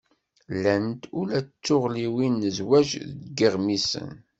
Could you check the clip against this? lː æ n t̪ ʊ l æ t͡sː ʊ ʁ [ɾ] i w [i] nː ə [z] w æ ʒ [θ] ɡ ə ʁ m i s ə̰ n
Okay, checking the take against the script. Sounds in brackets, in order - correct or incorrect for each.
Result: incorrect: l, correct, correct, incorrect: ð

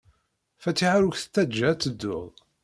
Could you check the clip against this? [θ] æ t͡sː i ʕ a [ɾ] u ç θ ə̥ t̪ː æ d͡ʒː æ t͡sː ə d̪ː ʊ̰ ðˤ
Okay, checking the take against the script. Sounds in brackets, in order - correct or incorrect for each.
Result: incorrect: f, correct

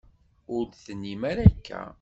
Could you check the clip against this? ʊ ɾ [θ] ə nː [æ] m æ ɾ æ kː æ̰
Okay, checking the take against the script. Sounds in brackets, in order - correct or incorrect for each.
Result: correct, incorrect: i

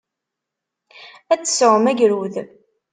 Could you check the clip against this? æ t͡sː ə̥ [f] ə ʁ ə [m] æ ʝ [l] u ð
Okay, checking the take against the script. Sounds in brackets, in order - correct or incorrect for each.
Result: incorrect: s, correct, incorrect: ɾ

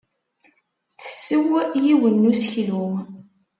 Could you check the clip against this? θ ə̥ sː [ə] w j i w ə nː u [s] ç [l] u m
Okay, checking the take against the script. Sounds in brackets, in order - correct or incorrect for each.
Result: correct, correct, correct

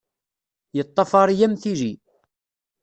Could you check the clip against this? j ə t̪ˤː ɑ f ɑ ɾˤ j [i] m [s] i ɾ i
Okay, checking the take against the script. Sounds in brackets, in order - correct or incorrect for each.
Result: incorrect: æ, incorrect: θ

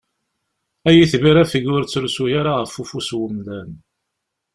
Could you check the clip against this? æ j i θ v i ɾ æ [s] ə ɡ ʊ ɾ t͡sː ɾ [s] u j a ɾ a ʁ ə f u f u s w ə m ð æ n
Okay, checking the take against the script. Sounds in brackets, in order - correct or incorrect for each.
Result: incorrect: f, correct

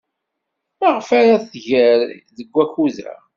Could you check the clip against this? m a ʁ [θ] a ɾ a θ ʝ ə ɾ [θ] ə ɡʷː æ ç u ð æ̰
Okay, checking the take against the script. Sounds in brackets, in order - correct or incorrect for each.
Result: incorrect: f, incorrect: ð

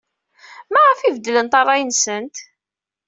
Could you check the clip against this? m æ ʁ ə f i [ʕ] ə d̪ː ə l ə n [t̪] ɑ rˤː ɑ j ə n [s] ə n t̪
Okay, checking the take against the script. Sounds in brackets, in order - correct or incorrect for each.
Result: incorrect: v, correct, correct

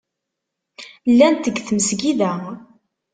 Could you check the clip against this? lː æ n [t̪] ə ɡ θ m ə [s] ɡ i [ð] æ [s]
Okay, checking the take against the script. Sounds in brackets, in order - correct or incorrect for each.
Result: correct, correct, correct, incorrect: none

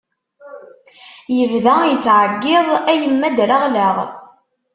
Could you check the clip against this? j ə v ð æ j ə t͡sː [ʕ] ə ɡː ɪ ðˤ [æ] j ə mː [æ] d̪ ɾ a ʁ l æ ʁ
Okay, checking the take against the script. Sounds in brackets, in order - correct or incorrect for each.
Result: correct, correct, correct

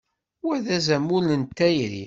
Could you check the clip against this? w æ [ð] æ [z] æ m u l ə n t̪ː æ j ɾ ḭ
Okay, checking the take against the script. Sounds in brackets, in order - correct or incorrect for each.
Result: correct, correct

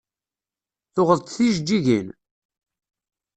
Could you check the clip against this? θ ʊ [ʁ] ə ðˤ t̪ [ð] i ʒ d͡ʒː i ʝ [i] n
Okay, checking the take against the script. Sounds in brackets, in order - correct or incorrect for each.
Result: correct, incorrect: θ, correct

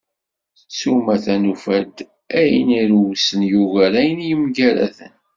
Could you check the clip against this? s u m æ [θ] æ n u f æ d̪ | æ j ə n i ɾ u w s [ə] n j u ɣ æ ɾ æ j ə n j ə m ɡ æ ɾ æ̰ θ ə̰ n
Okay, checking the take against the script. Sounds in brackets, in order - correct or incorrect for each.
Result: correct, correct

